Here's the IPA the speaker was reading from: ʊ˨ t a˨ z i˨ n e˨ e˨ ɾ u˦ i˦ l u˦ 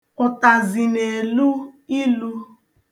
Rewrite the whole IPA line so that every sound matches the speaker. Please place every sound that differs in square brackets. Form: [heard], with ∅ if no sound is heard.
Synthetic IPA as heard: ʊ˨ t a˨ z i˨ n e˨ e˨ [l] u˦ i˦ l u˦

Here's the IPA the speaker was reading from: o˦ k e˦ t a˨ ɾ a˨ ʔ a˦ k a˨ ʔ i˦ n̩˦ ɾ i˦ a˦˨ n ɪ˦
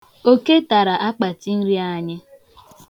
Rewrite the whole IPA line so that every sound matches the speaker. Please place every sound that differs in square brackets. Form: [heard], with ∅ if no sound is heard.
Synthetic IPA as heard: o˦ k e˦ t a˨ ɾ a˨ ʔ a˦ [k͡p] a˨ [t] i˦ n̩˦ ɾ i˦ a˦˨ [ɲ] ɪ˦

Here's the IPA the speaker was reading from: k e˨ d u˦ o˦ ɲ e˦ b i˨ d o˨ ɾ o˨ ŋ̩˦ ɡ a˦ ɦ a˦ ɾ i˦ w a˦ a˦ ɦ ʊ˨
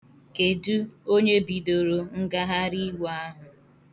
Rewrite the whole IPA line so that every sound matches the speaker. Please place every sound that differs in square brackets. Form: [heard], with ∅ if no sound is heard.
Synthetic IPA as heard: k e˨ d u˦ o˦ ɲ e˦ b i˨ d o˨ ɾ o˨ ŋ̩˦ ɡ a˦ ɦ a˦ ɾ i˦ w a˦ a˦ ɦ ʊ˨

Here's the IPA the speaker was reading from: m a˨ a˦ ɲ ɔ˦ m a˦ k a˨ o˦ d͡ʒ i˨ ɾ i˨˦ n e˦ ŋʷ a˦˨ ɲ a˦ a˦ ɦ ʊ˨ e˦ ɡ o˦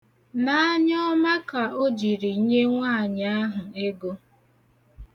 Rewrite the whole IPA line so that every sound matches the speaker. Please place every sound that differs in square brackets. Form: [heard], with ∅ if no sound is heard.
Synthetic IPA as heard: [n] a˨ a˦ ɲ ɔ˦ m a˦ k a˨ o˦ d͡ʒ i˨ ɾ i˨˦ [ɲ] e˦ ŋʷ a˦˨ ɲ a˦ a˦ ɦ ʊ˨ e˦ ɡ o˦

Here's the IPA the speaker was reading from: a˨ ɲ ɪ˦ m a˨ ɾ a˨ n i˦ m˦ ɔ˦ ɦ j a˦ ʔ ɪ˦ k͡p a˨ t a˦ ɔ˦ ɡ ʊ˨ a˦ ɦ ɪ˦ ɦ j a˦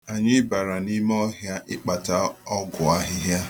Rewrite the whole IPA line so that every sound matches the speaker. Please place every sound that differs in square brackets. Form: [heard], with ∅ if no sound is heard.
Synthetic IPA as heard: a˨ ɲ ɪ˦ [b] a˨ ɾ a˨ n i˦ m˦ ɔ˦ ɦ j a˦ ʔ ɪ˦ k͡p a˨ t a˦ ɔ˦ ɡ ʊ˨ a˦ ɦ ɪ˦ ɦ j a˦

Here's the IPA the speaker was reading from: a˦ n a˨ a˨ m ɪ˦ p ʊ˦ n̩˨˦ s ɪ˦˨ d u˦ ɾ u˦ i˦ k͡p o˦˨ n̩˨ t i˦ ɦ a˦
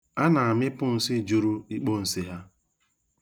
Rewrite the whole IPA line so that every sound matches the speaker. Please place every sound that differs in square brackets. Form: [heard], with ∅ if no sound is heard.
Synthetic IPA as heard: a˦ n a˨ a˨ m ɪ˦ p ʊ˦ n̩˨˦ s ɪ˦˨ [d͡ʒ] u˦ ɾ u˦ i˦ k͡p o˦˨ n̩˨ [s] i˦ ɦ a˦

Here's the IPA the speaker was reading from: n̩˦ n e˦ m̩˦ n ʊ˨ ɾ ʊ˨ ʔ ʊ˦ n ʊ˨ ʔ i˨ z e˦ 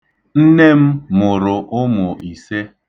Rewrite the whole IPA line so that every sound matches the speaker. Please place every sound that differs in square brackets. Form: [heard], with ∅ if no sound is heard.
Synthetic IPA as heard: n̩˦ n e˦ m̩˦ [m] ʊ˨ ɾ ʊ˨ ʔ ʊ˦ [m] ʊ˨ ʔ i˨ [s] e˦

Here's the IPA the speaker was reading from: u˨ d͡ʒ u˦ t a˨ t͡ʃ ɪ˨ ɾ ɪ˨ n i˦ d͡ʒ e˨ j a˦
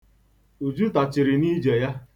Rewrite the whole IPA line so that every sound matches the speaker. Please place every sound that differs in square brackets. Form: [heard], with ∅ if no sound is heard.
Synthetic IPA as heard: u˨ d͡ʒ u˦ t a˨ t͡ʃ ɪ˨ ɾ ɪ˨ n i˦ d͡ʒ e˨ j a˦

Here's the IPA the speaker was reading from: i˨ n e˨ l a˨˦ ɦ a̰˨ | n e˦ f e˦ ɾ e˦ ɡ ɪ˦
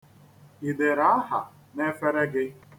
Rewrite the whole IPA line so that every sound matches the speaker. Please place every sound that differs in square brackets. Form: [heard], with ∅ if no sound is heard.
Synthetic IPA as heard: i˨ [d] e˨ [ɾ] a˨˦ ɦ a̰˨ | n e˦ f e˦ ɾ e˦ ɡ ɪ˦

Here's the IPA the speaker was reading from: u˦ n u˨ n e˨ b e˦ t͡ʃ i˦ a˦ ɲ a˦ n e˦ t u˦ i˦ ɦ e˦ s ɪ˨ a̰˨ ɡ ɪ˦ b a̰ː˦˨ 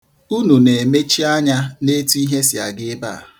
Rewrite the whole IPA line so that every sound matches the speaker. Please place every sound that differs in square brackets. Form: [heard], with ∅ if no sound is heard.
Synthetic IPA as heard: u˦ n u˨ n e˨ [m] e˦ t͡ʃ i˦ a˦ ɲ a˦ n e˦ t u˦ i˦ ɦ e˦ s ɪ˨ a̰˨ ɡ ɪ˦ b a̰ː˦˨

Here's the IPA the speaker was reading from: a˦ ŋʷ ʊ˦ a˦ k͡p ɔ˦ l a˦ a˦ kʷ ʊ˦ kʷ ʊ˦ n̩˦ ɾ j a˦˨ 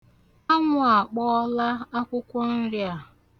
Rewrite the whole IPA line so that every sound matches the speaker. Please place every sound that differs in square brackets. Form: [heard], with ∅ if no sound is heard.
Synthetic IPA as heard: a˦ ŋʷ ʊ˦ [a˨] k͡p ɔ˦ l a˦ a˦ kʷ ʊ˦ kʷ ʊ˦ n̩˦ ɾ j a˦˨

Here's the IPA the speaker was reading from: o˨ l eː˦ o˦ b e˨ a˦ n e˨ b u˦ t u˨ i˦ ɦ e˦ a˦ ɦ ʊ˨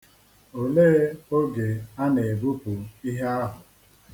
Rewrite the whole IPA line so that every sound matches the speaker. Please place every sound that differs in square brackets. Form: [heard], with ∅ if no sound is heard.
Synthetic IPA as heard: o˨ l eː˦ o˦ [ɡ] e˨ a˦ n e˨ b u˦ [p] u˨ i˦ ɦ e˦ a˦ ɦ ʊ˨

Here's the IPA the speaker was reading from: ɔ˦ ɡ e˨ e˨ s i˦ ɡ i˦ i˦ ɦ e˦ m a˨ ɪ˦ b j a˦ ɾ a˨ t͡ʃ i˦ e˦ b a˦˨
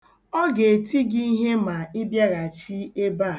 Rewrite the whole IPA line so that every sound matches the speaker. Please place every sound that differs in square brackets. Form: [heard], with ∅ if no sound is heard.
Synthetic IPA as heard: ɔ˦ ɡ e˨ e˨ [t] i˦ ɡ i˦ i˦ ɦ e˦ m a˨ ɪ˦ b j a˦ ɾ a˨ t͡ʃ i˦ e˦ b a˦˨

